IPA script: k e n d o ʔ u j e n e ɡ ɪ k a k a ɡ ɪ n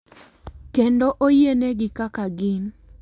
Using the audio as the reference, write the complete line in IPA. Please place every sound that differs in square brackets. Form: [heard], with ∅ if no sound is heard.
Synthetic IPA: k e n d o ʔ [o] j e n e ɡ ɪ k a k a ɡ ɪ n